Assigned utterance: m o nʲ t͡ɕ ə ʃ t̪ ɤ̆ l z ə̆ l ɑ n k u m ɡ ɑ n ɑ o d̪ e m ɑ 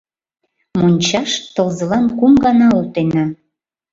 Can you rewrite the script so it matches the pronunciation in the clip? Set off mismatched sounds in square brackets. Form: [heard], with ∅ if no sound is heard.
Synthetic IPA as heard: m o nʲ t͡ɕ [ɑ] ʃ t̪ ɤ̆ l z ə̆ l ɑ n k u m ɡ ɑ n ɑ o [t̪] e [n] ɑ